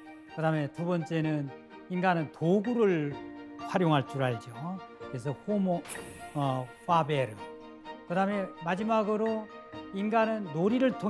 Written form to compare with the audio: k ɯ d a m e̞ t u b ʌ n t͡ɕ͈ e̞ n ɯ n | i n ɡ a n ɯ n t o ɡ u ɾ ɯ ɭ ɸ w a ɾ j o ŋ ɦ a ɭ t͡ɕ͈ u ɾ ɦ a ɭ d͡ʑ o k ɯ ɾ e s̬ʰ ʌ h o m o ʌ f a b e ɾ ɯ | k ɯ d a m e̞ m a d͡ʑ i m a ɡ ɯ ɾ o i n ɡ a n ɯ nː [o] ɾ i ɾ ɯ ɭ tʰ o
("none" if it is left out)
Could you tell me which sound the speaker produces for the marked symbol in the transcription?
o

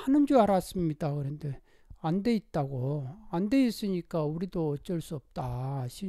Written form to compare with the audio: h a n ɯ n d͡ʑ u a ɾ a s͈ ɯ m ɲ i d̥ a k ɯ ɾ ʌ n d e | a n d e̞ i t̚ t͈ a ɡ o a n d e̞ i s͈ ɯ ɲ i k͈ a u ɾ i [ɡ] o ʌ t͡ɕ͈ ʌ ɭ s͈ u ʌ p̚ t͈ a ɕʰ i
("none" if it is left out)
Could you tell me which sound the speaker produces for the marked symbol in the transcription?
d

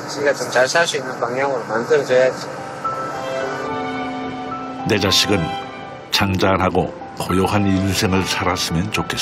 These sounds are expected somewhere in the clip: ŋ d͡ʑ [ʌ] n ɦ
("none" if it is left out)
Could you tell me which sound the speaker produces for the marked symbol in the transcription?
a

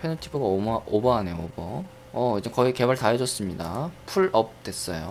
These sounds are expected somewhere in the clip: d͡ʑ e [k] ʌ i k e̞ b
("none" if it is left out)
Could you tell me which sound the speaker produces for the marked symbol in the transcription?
k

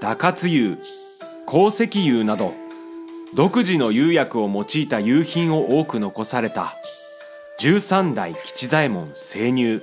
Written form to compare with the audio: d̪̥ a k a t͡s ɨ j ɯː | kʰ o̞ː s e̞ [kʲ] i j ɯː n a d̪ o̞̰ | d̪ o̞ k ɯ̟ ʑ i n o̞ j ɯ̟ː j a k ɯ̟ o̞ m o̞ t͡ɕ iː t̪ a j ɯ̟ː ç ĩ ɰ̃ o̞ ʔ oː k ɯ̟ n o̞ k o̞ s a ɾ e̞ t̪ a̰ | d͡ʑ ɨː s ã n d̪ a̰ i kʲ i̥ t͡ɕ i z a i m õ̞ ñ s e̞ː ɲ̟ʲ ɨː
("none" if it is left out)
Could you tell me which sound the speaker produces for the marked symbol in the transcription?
kʲ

